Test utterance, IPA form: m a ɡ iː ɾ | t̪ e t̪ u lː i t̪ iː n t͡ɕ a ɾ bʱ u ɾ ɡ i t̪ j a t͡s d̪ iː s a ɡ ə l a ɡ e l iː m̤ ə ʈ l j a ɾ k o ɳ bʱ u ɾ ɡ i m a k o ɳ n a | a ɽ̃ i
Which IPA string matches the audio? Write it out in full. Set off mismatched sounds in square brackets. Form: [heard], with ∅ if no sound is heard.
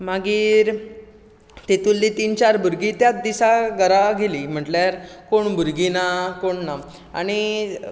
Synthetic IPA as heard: m a ɡ iː ɾ | t̪ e t̪ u lː i t̪ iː n t͡ɕ a ɾ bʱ u ɾ ɡ i t̪ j a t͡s d̪ [i] s a ɡ ə [ɾ] a ɡ e l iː m̤ ə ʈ l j a ɾ k o ɳ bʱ u ɾ ɡ i [n] a k o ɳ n a | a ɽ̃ i